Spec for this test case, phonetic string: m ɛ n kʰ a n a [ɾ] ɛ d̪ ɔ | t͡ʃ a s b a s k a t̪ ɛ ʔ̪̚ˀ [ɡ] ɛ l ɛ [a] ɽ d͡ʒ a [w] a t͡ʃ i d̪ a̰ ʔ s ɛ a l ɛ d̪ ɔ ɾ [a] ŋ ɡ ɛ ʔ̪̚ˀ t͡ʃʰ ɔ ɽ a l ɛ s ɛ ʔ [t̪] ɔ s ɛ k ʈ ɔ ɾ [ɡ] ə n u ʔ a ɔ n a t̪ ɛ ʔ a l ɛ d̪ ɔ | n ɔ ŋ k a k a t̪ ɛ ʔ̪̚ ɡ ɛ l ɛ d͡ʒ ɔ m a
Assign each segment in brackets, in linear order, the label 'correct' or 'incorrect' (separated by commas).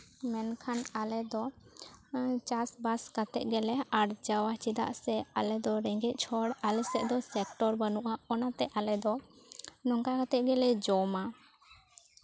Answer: incorrect, correct, correct, correct, incorrect, incorrect, incorrect